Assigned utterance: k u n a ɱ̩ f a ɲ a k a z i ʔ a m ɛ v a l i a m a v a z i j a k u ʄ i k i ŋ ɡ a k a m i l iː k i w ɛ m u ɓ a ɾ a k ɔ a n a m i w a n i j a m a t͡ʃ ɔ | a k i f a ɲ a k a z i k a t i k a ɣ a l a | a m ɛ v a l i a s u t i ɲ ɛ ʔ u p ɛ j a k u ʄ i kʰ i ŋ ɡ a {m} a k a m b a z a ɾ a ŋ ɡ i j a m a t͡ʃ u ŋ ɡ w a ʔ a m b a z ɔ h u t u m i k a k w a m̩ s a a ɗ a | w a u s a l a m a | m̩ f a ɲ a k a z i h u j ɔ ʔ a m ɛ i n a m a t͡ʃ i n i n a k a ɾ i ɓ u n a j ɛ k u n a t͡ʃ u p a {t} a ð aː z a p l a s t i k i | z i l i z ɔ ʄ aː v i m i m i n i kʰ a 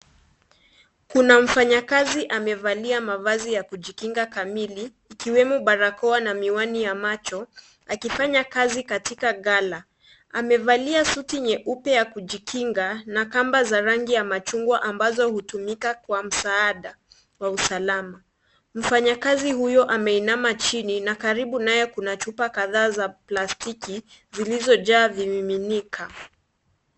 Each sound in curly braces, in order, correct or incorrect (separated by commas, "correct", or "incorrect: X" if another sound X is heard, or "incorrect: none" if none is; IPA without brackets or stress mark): incorrect: n, incorrect: k